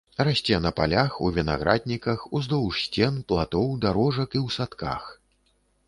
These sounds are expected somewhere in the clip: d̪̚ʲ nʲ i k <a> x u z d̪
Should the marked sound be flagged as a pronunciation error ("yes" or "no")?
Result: yes